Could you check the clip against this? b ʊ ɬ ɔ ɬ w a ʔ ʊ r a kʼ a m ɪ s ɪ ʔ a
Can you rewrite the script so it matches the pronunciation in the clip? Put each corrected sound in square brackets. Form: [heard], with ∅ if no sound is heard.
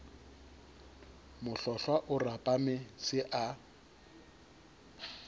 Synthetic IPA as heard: [m] ʊ ɬ ɔ ɬ w a ʔ ʊ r a [pʼ] a m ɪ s ɪ ʔ a